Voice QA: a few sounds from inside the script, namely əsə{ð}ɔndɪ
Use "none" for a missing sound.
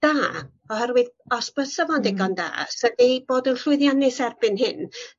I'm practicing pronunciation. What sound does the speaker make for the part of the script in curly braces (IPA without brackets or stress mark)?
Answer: v